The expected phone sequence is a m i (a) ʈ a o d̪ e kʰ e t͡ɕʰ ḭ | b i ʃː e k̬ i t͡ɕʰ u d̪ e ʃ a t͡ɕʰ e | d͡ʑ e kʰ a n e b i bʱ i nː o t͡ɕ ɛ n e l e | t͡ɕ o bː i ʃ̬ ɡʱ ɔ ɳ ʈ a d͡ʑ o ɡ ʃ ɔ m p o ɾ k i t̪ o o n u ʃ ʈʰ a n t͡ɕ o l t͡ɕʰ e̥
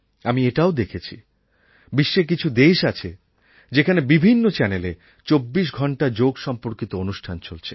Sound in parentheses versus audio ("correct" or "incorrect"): incorrect